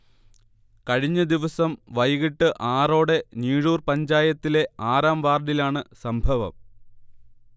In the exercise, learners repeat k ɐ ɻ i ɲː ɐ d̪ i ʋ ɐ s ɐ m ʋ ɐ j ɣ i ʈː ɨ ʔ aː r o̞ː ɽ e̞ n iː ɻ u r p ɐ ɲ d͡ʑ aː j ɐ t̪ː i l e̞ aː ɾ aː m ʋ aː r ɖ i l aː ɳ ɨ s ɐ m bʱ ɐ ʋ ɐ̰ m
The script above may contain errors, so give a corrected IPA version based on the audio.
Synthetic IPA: k ɐ ɻ i ɲː ɐ d̪ i ʋ ɐ s ɐ m ʋ ɐ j ɣ i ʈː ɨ ʔ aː r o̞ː ɽ e̞ n iː ɻ uː r p ɐ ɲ d͡ʑ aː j ɐ t̪ː i l e̞ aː ɾ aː m ʋ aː r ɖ i l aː ɳ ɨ s ɐ m bʱ ɐ ʋ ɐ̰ m

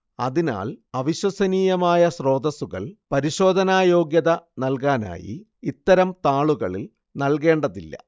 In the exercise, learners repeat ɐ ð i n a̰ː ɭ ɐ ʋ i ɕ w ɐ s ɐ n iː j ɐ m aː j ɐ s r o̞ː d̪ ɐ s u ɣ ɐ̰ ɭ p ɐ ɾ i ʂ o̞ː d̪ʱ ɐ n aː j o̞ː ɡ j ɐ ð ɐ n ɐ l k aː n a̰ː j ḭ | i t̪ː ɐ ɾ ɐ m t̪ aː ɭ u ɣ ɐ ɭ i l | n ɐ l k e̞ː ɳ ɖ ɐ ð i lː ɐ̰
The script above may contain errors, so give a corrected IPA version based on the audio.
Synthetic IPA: ɐ ð i n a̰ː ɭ ɐ ʋ i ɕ w ɐ s ɐ n iː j ɐ m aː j ɐ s r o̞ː d̪ ɐ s u ɣ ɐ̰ ɭ p ɐ ɾ i ɕ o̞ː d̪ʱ ɐ n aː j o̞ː ɡ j ɐ ð ɐ n ɐ l k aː n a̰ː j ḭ | i t̪ː ɐ ɾ ɐ m t̪ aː ɭ u ɣ ɐ ɭ i l | n ɐ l k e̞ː ɳ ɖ ɐ ð i lː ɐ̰

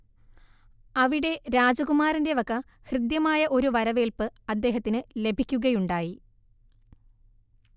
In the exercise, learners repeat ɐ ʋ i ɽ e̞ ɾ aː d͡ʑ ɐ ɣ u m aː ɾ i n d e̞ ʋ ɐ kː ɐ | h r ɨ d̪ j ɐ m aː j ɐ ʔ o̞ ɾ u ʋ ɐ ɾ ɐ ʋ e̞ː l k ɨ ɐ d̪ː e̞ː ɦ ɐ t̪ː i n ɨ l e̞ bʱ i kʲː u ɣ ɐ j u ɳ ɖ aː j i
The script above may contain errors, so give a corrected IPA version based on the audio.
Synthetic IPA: ɐ ʋ i ɽ e̞ ɾ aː d͡ʑ ɐ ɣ u m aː ɾ i n d e̞ ʋ ɐ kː ɐ | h r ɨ d̪ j ɐ m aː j ɐ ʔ o̞ ɾ u ʋ ɐ ɾ ɐ ʋ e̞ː l p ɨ ɐ d̪ː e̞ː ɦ ɐ t̪ː i n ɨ l e̞ bʱ i kʲː u ɣ ɐ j u ɳ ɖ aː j i

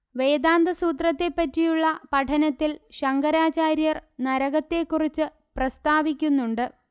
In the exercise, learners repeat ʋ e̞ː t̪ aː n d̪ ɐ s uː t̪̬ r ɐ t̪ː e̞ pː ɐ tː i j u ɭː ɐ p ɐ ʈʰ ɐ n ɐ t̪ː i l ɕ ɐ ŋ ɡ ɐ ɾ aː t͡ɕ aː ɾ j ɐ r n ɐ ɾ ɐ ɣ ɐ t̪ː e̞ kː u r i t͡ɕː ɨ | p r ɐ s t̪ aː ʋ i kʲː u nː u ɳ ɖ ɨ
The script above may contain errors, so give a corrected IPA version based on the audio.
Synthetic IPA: ʋ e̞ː d̪ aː n d̪ ɐ s uː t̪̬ r ɐ t̪ː e̞ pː ɐ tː i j u ɭː ɐ p ɐ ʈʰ ɐ n ɐ t̪ː i l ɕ ɐ ŋ ɡ ɐ ɾ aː t͡ɕ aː ɾ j ɐ r n ɐ ɾ ɐ ɣ ɐ t̪ː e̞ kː u r i t͡ɕː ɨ | p r ɐ s t̪ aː ʋ i kʲː u nː u ɳ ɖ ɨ

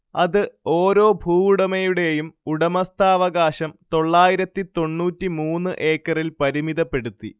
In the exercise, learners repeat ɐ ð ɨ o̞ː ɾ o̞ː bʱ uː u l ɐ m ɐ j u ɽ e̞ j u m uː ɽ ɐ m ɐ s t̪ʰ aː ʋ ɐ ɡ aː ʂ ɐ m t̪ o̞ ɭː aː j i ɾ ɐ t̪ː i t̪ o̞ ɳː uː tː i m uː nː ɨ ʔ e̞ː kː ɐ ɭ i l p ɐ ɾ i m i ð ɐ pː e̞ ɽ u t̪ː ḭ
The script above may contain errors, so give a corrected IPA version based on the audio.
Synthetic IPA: ɐ ð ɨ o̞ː ɾ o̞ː bʱ uː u ɽ ɐ m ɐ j u ɽ e̞ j u m u ɽ ɐ m ɐ s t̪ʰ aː ʋ ɐ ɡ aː ɕ ɐ m t̪ o̞ ɭː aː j i ɾ ɐ t̪ː i t̪ o̞ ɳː uː tː i m uː nː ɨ ʔ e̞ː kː ɐ r i l p ɐ ɾ i m i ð ɐ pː e̞ ɽ u t̪ː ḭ

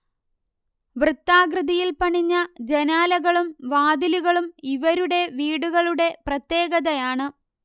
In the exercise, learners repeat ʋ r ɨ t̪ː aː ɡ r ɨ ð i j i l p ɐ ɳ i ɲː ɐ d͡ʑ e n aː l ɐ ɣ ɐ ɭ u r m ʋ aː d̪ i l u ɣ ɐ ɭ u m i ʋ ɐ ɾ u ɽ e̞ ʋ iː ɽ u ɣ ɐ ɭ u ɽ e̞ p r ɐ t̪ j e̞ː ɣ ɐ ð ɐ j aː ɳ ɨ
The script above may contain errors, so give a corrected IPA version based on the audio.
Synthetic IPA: ʋ r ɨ t̪ː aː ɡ r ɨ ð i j i l p ɐ ɳ i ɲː ɐ d͡ʑ e n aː l ɐ ɣ ɐ ɭ u m ʋ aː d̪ i l u ɣ ɐ ɭ u m i ʋ ɐ ɾ u ɽ e̞ ʋ iː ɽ u ɣ ɐ ɭ u ɽ e̞ p r ɐ t̪ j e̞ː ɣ ɐ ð ɐ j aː ɳ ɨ

